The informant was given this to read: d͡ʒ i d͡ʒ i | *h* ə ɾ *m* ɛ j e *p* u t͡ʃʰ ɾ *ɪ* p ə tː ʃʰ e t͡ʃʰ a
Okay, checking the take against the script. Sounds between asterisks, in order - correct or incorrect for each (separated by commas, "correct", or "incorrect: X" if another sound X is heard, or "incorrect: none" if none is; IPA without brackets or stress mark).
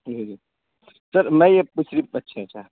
incorrect: s, correct, correct, incorrect: i